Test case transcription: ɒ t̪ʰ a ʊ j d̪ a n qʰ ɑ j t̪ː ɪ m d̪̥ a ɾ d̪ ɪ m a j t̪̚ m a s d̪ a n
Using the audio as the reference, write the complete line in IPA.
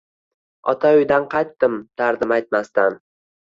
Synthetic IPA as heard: ɒ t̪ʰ a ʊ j d̪ a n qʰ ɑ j t̪ː ɪ m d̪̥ a ɾ d̪ ɪ m a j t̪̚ m a s t̪ a n